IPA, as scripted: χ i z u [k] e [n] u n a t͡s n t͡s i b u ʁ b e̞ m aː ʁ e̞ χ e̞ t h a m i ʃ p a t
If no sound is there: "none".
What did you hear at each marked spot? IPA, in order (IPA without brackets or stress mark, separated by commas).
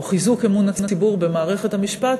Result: k, m